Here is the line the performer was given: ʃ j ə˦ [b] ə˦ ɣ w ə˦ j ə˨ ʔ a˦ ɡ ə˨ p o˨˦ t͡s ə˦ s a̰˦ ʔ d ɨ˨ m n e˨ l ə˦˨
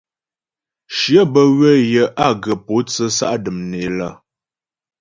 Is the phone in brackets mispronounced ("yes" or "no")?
no